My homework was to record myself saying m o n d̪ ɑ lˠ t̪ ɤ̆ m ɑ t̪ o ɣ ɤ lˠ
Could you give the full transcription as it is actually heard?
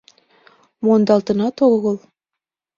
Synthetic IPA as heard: m o n d̪ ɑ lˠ t̪ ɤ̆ n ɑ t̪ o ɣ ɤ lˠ